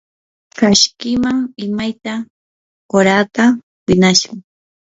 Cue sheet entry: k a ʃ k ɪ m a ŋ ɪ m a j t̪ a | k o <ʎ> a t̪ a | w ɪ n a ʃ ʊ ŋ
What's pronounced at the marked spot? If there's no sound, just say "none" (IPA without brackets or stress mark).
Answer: ɾ